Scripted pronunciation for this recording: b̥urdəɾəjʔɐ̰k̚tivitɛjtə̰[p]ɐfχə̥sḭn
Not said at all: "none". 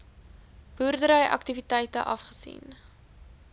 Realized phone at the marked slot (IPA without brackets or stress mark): ʔ